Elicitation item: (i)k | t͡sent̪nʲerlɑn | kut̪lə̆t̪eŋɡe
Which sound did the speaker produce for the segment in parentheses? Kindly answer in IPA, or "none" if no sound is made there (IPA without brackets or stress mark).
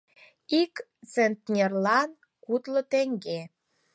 i